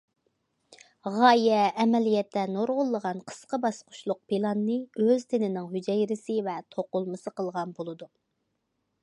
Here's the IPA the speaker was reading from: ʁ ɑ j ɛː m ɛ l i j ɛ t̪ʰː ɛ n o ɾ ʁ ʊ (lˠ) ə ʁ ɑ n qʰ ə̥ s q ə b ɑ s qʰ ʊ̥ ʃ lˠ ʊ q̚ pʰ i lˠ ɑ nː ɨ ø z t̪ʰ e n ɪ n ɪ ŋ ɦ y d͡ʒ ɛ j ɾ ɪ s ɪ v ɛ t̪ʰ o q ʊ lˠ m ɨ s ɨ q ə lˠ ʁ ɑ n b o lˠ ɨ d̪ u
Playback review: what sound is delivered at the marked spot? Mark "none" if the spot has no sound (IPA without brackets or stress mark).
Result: lˠː